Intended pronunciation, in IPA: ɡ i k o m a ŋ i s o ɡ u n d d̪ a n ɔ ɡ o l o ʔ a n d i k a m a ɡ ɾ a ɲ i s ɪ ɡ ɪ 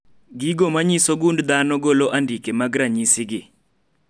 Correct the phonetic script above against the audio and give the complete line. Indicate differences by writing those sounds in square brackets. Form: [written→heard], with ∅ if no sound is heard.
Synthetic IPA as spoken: ɡ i [k→ɡ] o m a [ŋ→ɲ] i s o ɡ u n d d̪ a n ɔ ɡ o l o ʔ a n d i k [a→e] m a ɡ ɾ a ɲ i s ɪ ɡ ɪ

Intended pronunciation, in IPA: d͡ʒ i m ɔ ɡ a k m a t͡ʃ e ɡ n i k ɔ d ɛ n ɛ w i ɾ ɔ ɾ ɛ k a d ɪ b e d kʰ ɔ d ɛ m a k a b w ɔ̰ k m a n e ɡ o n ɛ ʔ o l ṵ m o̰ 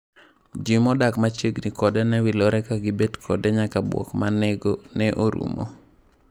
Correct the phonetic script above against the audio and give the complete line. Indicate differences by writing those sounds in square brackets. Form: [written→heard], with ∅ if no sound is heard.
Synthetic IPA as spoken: d͡ʒ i m ɔ [ɡ→d] a k m a t͡ʃ e ɡ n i k ɔ d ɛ n ɛ w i [ɾ→l] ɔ ɾ ɛ k a [d→ɡ] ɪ b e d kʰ ɔ d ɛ [m→ɲ] a k a b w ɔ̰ k m a n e ɡ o n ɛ ʔ o [l→ɾ] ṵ m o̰

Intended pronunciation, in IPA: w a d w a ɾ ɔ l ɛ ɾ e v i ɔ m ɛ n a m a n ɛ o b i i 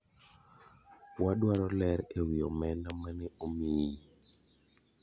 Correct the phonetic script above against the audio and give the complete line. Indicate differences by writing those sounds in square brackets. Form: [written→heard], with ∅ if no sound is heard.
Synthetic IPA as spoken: w a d w a ɾ ɔ l ɛ ɾ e [v→w] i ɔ m ɛ n a m a n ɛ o [b→m] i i

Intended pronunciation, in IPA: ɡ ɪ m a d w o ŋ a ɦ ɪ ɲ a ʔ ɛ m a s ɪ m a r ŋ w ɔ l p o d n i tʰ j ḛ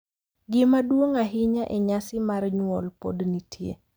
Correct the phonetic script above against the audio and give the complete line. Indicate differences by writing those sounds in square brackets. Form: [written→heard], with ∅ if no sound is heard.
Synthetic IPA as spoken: ɡ ɪ m a d w o ŋ a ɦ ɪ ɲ a ʔ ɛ [m→ɲ] a s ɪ m a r [ŋ→ɲ] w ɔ l p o d n i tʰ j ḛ

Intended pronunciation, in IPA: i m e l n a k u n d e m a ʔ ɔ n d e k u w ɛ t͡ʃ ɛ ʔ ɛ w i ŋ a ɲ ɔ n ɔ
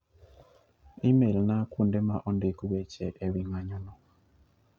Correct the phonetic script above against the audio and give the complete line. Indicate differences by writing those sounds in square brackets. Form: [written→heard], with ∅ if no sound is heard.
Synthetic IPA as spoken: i m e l n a k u n d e m a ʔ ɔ n d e k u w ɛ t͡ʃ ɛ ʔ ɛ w i ŋ a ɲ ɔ n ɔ

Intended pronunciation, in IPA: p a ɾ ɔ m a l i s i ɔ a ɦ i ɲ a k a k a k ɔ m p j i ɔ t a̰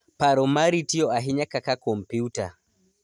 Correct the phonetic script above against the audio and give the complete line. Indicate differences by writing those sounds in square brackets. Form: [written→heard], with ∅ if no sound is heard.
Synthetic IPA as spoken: p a ɾ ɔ m a [l→ɾ] i [s→t] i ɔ a ɦ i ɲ a k a k a k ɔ m p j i [ɔ→u] t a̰

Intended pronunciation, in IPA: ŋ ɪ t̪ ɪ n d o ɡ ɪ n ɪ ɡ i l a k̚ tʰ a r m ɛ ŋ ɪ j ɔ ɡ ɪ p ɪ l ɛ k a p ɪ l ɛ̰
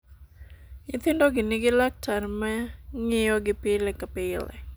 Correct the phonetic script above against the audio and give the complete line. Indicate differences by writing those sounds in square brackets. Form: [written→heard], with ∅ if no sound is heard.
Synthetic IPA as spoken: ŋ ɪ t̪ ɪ n d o ɡ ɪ n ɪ ɡ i l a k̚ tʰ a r m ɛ ŋ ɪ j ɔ ɡ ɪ p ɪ l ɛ k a p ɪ l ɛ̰

